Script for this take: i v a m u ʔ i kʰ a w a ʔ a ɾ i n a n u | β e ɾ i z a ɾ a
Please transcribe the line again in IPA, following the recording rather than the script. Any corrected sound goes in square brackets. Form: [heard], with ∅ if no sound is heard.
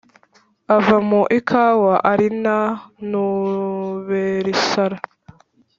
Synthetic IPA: [a] v a m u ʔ i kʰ a w a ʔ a ɾ i n a n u | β e ɾ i [s] a ɾ a